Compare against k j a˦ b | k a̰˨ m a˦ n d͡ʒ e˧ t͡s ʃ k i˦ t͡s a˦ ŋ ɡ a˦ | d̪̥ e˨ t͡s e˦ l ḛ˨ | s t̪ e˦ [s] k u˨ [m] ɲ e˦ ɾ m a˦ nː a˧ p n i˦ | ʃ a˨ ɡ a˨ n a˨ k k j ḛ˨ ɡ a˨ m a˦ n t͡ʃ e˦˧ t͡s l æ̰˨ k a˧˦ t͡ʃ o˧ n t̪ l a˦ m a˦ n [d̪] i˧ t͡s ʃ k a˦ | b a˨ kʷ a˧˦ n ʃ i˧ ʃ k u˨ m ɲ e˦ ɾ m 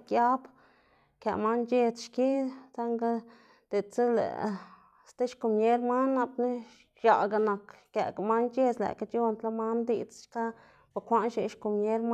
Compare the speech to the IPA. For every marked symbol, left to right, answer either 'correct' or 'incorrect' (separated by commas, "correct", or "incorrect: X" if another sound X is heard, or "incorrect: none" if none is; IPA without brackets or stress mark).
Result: incorrect: ʃ, correct, correct